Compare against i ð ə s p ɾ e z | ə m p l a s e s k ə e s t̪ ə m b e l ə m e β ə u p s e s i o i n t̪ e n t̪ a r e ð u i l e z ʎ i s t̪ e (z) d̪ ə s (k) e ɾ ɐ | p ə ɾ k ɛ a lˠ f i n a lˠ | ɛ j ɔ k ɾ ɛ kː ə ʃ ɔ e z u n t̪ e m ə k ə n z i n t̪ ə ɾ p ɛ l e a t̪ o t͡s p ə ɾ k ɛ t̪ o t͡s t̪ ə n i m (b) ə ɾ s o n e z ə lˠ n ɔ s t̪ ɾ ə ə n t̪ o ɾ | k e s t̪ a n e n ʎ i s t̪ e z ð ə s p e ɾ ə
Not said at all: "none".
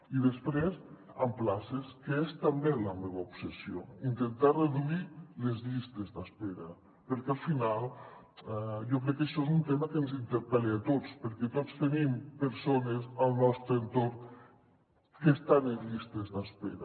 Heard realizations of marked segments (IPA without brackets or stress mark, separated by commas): z, p, p